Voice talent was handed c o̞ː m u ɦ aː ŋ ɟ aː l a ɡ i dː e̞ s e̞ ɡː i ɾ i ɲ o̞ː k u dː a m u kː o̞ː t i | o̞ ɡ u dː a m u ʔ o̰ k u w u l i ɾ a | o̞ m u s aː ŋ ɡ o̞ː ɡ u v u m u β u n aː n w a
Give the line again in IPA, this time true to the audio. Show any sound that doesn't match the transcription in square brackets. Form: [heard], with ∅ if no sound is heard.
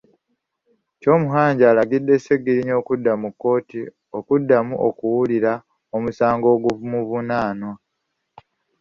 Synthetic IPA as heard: c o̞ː m u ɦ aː [ɲ] ɟ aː l a ɡ i dː e̞ s e̞ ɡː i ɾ i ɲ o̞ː k u dː a m u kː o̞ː t i | o̞ [k] u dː a m u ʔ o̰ k u w u l i ɾ a | o̞ m u s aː ŋ ɡ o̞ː ɡ u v u m u β u n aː n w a